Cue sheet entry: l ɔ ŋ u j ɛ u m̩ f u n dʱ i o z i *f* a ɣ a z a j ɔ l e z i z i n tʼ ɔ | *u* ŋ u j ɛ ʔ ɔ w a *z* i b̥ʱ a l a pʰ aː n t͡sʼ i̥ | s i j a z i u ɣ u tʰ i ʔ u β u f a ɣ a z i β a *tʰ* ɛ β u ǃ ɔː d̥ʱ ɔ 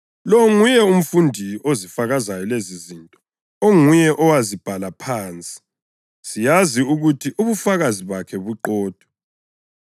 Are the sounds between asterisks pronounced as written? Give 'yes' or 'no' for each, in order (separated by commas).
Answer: yes, no, yes, no